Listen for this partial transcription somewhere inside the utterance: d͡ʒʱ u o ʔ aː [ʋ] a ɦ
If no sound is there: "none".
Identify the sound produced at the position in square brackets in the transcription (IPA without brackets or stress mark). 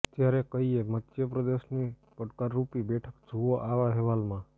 ʋ